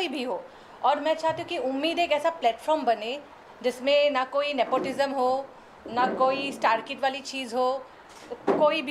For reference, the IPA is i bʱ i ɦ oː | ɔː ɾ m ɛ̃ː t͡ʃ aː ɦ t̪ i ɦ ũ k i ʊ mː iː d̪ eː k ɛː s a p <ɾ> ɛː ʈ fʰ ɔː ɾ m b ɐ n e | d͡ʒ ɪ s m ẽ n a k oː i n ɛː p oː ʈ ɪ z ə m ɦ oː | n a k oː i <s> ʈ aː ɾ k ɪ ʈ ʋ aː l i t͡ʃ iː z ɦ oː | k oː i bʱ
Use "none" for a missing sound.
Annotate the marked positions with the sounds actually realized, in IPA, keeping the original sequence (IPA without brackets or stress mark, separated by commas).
l, s